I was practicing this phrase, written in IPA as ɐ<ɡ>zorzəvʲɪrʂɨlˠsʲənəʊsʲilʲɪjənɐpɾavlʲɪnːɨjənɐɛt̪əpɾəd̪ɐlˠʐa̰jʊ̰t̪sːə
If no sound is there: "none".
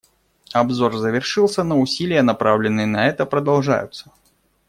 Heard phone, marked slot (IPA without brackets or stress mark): b